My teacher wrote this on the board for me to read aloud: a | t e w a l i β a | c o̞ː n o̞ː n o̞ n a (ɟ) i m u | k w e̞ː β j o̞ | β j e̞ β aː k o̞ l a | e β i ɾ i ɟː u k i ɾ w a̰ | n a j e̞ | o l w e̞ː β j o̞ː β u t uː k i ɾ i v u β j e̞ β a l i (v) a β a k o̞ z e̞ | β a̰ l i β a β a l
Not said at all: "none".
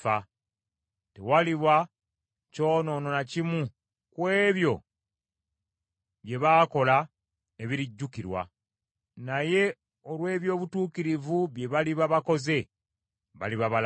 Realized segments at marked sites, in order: c, β

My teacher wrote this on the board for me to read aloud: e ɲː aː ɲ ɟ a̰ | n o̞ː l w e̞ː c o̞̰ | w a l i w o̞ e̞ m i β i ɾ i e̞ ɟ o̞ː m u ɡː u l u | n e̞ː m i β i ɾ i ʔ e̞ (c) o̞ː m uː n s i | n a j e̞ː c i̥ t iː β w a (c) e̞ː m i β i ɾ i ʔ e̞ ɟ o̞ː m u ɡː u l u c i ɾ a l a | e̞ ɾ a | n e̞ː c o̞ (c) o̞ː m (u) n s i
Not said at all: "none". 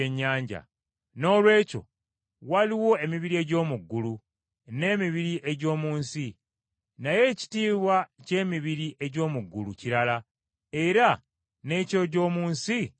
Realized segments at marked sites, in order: ɟ, c, ɟ, uː

